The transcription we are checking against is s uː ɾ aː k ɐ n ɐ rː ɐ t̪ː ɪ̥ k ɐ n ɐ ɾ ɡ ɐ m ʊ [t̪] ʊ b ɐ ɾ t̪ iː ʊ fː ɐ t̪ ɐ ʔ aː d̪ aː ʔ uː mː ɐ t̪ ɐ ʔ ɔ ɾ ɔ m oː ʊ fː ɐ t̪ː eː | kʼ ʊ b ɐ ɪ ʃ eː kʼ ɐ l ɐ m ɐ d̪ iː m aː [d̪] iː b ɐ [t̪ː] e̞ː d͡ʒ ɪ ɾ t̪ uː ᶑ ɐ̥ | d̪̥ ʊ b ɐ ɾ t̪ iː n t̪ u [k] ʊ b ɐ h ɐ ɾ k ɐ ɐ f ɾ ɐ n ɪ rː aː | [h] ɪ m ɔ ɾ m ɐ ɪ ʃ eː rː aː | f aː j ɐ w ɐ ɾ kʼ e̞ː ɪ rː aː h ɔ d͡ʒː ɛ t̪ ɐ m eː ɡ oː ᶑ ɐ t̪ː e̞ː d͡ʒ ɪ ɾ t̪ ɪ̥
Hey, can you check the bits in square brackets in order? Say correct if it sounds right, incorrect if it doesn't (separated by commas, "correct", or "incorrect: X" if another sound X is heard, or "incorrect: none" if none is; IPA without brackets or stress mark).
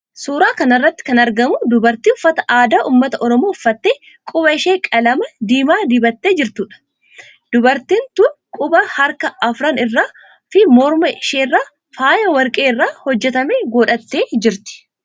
incorrect: d̪, correct, correct, incorrect: kʼ, incorrect: f